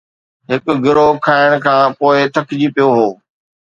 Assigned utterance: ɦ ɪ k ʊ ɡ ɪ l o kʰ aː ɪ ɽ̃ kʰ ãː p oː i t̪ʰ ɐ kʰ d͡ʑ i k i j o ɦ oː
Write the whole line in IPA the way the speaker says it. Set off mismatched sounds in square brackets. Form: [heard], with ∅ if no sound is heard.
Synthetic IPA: ɦ ɪ k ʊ ɡ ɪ [ɾ] o kʰ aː ɪ ɽ̃ kʰ ãː p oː [ɪ] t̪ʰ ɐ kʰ d͡ʑ i [p] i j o ɦ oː